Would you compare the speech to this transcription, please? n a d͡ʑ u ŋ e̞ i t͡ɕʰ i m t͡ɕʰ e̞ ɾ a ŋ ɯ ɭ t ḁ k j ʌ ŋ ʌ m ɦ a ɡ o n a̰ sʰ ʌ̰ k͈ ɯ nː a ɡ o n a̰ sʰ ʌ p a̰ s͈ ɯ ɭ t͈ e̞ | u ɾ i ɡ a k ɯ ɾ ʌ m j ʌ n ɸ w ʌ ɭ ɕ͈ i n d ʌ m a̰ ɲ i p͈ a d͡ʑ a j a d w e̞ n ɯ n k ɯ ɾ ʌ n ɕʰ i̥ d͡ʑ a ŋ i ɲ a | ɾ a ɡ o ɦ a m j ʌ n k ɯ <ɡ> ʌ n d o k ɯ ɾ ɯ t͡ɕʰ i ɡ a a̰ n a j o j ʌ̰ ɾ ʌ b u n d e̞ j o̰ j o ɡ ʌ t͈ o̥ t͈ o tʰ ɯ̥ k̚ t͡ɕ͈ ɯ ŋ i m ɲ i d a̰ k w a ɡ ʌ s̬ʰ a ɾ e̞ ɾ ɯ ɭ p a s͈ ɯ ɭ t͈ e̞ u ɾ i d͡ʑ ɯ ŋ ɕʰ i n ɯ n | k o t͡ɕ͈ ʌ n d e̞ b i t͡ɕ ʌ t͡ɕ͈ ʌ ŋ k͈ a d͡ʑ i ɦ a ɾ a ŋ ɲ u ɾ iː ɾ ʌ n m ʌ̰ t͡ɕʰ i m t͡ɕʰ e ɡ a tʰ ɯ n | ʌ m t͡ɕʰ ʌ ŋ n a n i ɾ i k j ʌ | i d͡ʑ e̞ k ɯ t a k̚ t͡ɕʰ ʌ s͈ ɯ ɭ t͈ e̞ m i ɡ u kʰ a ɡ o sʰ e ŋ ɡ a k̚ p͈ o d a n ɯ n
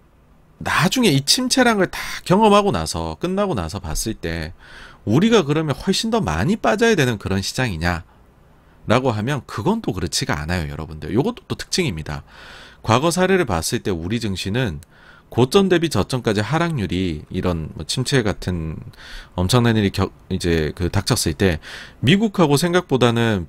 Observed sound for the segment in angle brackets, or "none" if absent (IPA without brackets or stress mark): ɡ